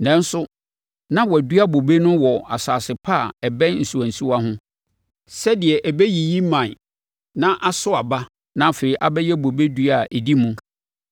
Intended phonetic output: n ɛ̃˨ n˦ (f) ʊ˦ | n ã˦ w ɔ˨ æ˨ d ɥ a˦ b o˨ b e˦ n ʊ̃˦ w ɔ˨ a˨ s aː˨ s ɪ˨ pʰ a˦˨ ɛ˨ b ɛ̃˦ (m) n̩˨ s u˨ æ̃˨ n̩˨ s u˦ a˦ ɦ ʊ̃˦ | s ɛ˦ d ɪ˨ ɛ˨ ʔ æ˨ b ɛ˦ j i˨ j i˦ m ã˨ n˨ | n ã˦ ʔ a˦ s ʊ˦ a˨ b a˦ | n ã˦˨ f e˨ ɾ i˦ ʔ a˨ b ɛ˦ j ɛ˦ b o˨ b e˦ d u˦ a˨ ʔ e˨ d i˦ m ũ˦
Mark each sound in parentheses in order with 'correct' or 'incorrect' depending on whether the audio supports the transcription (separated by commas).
incorrect, incorrect